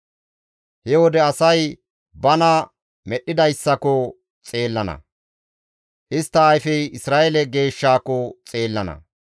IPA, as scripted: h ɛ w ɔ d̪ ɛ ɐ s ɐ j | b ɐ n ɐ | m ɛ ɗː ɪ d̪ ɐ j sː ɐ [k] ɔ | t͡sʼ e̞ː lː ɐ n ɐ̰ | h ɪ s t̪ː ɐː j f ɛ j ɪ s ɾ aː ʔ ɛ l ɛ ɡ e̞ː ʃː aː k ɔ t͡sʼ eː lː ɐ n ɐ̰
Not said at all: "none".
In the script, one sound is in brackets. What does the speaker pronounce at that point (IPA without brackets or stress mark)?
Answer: k